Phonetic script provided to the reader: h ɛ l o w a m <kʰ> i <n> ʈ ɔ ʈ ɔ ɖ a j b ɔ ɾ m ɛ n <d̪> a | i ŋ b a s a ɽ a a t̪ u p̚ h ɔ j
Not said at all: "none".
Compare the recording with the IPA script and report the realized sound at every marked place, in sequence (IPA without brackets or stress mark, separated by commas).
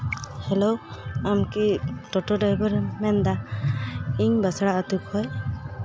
k, none, d̪